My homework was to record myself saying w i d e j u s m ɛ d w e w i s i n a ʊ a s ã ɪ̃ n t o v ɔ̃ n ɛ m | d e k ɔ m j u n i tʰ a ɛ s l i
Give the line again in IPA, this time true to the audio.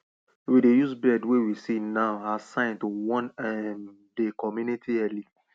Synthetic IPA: w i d e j u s b ɛ d w e w i s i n a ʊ a s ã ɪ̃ n t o w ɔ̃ n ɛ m | d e k ɔ m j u n i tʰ i ɛ l i